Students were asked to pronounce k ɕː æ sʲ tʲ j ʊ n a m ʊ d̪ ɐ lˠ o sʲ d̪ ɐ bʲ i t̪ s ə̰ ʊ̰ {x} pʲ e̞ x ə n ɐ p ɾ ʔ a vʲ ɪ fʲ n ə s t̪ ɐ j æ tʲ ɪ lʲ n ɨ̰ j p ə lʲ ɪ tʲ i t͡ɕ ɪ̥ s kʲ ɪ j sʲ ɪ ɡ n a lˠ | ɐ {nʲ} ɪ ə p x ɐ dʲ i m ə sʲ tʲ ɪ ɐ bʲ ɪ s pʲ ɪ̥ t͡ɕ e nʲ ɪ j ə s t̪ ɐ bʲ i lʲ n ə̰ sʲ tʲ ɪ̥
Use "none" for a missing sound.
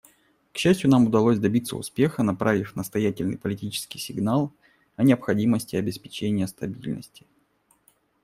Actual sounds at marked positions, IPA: s, nʲ

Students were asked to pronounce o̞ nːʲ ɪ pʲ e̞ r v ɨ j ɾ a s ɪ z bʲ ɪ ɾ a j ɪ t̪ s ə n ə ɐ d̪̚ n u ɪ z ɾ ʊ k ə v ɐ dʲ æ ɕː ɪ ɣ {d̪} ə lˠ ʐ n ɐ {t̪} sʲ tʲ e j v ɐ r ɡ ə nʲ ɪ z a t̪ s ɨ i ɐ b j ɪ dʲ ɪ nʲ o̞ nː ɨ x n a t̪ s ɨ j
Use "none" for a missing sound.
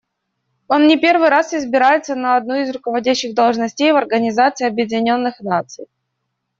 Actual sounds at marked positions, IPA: d̪, none

